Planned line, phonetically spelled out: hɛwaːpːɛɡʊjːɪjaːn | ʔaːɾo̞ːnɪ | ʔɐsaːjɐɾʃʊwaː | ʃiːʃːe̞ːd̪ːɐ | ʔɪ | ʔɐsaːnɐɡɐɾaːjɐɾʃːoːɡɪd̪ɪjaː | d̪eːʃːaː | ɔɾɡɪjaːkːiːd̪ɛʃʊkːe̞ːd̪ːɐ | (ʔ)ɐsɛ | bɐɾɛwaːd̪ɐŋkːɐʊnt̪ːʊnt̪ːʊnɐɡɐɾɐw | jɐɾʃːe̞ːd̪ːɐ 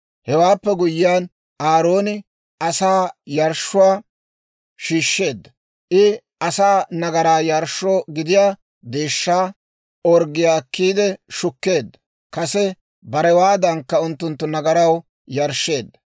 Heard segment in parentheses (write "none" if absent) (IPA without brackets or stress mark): k